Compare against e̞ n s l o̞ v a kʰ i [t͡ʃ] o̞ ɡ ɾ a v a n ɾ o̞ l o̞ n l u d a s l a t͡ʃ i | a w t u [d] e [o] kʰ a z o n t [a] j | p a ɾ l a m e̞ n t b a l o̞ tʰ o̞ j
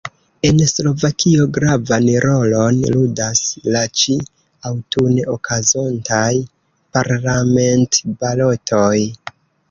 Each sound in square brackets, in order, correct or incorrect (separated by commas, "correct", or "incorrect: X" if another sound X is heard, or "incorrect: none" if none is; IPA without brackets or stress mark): incorrect: none, incorrect: n, correct, correct